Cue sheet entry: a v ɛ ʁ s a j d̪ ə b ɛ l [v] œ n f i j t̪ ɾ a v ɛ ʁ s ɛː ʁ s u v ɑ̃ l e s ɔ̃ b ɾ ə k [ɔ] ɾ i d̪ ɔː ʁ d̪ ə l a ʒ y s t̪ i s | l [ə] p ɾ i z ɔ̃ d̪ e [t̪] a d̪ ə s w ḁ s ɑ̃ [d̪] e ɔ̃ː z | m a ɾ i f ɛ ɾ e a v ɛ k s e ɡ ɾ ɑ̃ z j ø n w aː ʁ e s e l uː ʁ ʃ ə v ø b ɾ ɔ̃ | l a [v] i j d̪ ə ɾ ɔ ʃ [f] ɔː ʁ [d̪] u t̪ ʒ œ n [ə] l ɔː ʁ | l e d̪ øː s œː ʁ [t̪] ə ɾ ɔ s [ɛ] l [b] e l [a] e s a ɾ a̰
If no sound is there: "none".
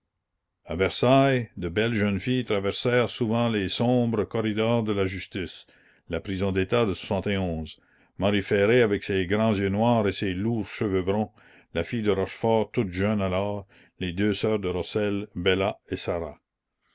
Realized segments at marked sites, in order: ʒ, ɔ, a, t̪, t̪, f, f, t̪, a, d̪, ɛ, b, a

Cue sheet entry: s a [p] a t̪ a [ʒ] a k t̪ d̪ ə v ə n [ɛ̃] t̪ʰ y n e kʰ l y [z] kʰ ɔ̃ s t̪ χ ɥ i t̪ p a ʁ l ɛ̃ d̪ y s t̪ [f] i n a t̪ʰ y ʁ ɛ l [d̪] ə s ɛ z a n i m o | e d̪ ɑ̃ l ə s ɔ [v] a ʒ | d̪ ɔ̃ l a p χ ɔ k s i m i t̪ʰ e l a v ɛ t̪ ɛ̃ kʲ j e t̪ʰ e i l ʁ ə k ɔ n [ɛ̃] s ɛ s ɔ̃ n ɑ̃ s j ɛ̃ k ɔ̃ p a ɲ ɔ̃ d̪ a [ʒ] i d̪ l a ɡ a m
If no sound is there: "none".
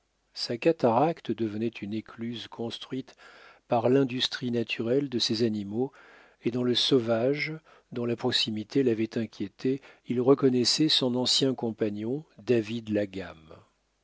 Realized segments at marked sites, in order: k, ʁ, ɛ, z, χ, d̪, v, ɛ, v

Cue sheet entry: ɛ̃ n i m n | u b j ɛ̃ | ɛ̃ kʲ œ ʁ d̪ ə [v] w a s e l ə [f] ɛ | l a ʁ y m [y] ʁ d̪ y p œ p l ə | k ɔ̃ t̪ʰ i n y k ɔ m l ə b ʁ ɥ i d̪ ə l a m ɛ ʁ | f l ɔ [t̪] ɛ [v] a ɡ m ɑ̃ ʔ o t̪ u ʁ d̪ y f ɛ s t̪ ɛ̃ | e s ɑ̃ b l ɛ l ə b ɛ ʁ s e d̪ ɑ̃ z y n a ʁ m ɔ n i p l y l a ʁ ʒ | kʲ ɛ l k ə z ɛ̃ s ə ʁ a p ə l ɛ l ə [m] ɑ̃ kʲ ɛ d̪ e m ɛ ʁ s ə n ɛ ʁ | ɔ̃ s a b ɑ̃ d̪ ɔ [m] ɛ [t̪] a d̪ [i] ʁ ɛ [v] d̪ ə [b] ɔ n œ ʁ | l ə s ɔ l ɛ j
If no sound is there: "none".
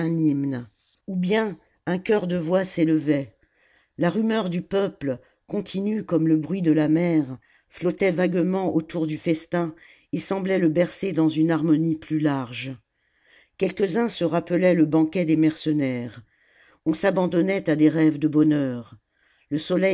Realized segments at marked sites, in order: v, v, œ, t̪, v, b, n, t̪, e, v, b

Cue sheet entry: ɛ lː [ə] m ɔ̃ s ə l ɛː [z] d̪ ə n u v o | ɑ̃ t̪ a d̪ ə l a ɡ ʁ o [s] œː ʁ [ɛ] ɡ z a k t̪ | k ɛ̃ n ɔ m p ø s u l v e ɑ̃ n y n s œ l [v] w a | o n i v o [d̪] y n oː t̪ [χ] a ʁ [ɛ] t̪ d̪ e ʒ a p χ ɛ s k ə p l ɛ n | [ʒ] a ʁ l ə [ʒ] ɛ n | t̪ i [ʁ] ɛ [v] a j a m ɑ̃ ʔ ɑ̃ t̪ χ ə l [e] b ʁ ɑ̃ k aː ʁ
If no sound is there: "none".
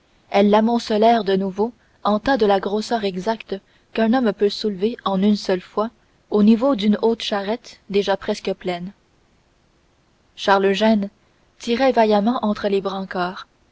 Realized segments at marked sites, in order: a, ʁ, s, ɛ, f, d̪, ʃ, ɛ, ʃ, ʒ, ʁ, v, e

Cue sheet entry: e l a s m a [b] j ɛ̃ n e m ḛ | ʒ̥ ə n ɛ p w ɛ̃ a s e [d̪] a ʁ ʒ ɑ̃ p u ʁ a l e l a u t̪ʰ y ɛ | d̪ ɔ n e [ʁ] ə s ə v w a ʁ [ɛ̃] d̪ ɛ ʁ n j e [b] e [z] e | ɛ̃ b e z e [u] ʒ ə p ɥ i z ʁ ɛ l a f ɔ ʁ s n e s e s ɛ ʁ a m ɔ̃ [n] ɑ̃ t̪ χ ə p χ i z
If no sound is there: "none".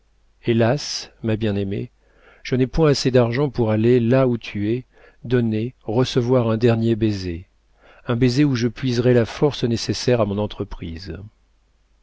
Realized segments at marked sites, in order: b, d̪, ʁ, ɛ̃, b, z, u, n

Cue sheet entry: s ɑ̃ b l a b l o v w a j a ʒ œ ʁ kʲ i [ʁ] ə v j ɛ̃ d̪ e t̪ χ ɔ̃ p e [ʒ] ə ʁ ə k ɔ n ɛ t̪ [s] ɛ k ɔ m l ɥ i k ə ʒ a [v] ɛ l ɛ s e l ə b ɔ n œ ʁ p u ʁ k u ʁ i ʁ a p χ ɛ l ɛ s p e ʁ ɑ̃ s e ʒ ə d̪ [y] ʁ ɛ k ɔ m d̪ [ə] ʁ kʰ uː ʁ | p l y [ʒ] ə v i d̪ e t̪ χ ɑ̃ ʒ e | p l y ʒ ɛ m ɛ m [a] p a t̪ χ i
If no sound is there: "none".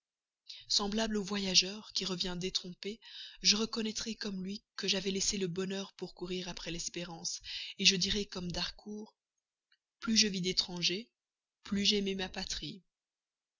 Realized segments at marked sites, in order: ʁ, ʒ, χ, v, i, a, ʒ, a

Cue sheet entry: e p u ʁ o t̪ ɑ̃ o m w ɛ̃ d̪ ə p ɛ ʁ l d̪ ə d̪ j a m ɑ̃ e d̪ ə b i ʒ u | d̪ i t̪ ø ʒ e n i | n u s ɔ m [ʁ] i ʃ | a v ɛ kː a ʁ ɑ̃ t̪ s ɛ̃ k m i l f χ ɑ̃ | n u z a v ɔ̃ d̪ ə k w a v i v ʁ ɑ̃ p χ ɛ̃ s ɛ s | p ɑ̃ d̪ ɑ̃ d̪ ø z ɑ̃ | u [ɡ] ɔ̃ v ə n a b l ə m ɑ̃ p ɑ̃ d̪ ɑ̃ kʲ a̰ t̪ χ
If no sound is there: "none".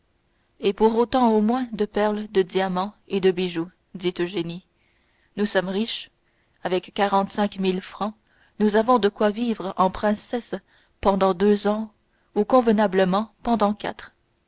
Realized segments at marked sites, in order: ʁ, k

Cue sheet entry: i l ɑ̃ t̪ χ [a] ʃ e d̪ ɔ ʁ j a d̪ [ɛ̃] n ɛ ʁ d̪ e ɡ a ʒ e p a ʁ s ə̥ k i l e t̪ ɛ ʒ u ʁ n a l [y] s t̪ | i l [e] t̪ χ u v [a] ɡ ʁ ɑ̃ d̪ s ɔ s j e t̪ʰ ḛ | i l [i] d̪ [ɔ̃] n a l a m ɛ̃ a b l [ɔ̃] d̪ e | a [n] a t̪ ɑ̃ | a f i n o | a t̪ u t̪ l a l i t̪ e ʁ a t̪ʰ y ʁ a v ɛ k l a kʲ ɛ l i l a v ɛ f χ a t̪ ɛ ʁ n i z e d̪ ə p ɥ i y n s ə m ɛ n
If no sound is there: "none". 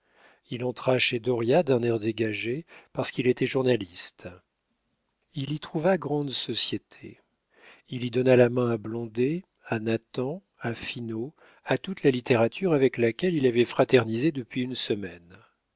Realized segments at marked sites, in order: a, ɛ̃, i, i, a, i, ɔ, ɔ̃, n

